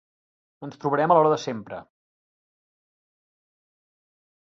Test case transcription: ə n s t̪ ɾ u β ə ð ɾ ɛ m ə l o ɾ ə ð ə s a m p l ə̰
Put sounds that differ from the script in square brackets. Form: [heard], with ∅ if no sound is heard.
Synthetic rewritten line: ə n s t̪ ɾ u β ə [∅] ɾ ɛ m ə l [ɔ] ɾ ə ð ə s [e] m p [ɾ] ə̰